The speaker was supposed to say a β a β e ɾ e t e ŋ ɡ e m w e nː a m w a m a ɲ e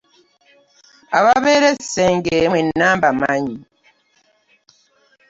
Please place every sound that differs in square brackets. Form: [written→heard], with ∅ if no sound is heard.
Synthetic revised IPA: a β a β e ɾ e [t→s] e ŋ ɡ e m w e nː a m [w→b] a m a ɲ [e→i]

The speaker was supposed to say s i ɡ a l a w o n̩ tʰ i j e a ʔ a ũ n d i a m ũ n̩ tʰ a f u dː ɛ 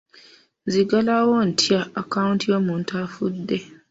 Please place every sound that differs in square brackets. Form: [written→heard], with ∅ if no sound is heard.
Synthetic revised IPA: [s→z] i ɡ a l a w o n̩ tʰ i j [e→a] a [ʔ→k] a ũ n [d→t] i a m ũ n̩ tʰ a f u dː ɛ

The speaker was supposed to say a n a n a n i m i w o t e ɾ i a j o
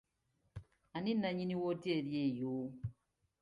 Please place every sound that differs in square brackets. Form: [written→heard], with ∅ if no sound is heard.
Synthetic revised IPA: a n [a→i] n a [n→ɲ] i [m→n] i w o t e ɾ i [a→e] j o

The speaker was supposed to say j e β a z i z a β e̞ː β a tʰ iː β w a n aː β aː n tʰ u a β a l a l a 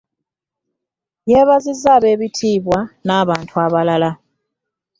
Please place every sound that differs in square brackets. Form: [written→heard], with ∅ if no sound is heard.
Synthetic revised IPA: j e β a z i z a β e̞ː β [a→i] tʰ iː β w a n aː β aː n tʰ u a β a l a l a

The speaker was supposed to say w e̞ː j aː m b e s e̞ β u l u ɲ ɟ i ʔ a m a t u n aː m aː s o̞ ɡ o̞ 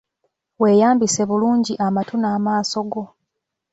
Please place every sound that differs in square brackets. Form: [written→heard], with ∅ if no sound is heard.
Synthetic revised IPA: w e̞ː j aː m b [e→i] s e̞ β u l [u→uː] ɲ ɟ i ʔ a m a t u n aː m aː s o̞ ɡ o̞

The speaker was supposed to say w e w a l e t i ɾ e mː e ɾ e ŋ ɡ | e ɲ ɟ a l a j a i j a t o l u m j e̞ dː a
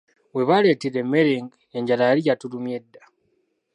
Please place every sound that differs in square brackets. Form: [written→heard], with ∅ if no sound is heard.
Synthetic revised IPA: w e [w→β] a l e t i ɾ e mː e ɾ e ŋ ɡ | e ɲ ɟ a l a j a i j a t [o→u] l u m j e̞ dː a

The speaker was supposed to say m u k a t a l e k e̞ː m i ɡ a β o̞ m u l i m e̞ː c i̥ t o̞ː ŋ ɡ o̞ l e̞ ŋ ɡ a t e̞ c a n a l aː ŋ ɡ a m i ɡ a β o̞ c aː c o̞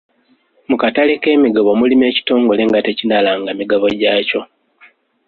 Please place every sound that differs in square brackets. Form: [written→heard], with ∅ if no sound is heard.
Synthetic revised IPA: m u k a t a l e k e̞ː m i ɡ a β o̞ m u l i m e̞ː c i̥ t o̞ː ŋ ɡ o̞ l e̞ ŋ ɡ a t e̞ c [a→i] n a l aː ŋ ɡ a m i ɡ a β o̞ [c→ɟ] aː c o̞

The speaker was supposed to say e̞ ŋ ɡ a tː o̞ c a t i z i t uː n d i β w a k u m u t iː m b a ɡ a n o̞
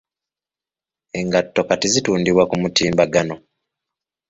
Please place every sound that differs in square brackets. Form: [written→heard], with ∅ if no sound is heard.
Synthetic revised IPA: e̞ ŋ ɡ a tː o̞ [c→k] a t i z i t uː n d i β w a k u m u t iː m b a ɡ a n o̞

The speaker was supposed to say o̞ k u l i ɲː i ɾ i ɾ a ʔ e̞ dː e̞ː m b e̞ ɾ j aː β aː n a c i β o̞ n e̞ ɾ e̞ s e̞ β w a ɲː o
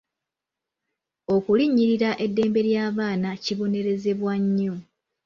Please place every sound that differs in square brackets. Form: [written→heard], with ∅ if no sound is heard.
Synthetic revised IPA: o̞ k u l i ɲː i ɾ i ɾ a ʔ e̞ dː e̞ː m b e̞ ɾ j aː β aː n a c i β o̞ n e̞ ɾ e̞ [s→z] e̞ β w a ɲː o

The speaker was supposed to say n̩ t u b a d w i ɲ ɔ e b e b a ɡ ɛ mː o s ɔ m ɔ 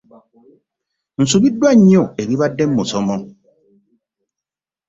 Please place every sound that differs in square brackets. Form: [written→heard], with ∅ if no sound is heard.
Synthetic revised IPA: n̩ [t→s] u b [a→i] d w [i→a] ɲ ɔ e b [e→i] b a [ɡ→d] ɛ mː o s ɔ m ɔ

